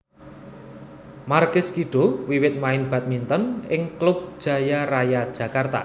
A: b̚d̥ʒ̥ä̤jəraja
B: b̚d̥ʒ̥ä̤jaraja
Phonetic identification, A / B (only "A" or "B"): B